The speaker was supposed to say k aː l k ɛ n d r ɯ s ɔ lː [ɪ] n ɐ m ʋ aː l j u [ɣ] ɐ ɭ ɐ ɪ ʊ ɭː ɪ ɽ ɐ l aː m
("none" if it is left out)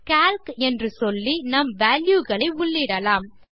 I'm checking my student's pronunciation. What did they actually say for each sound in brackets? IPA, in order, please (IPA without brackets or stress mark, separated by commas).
i, ɣ